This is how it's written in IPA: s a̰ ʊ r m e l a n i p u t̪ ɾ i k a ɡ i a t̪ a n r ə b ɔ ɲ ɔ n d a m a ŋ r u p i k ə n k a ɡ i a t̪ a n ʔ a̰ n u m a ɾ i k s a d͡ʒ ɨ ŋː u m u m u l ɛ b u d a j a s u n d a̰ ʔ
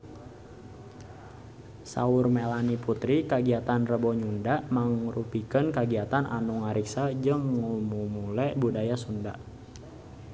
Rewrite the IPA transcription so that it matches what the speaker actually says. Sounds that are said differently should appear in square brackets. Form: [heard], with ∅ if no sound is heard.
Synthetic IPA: s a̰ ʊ r m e l a n i p u t̪ ɾ i k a ɡ i a t̪ a n r ə b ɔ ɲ [u] n d a m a ŋ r u p i k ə n k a ɡ i a t̪ a n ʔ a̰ n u [ŋ] a ɾ i k s a d͡ʒ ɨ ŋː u m u m u l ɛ b u d a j a s u n d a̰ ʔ